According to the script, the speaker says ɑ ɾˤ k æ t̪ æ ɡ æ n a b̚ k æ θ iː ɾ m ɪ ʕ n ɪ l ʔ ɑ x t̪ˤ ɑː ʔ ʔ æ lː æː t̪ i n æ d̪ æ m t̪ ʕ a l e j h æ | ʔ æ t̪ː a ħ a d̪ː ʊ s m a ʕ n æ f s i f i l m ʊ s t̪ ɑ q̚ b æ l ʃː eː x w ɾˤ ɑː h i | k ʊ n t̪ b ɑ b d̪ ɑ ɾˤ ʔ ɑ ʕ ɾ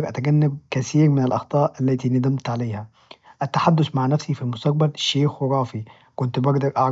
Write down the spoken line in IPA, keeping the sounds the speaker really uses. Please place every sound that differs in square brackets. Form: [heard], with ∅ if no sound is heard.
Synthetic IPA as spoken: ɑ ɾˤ [ʔ] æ t̪ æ ɡ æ [nː] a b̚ k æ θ iː ɾ m ɪ [∅] n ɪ l ʔ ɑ x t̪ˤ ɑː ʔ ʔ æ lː æː t̪ i n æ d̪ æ m t̪ ʕ a l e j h æ | ʔ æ t̪ː a ħ a d̪ː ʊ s m a ʕ n æ f s i f i l m ʊ s t̪ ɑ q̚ b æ l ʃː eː x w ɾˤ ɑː [f] i | k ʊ n t̪ b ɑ [ɡ] d̪ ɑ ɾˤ ʔ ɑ ʕ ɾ